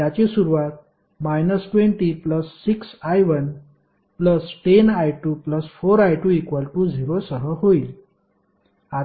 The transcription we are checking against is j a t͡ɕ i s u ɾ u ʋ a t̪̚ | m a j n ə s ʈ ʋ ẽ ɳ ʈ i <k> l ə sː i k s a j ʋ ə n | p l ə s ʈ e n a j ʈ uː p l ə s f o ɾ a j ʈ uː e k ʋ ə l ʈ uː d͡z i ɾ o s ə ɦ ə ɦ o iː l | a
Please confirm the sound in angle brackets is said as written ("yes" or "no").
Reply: no